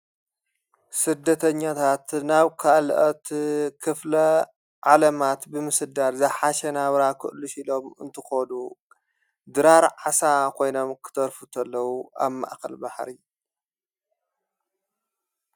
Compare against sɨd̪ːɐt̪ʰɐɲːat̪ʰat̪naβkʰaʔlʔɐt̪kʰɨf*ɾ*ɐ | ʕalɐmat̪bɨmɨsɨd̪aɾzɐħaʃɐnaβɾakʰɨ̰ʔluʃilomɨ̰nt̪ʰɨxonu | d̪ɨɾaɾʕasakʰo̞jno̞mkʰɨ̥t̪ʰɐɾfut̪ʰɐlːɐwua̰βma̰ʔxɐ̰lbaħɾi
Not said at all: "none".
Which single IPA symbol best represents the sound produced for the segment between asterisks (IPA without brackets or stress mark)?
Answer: l